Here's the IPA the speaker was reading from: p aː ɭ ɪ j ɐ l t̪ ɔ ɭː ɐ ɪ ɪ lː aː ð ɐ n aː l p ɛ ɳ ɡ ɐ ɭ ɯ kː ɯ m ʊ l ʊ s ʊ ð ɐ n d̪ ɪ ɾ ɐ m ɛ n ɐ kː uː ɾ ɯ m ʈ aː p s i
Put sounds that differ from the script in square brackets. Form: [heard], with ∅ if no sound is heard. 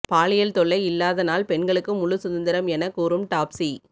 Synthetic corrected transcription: p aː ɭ ɪ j ɐ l t̪ ɔ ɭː ɐ ɪ ɪ lː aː ð ɐ n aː l p ɛ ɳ ɡ ɐ ɭ ɯ kː ɯ m ʊ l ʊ s ʊ ð ɐ n d̪ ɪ ɾ ɐ m ɛ n ɐ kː uː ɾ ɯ m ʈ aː p s i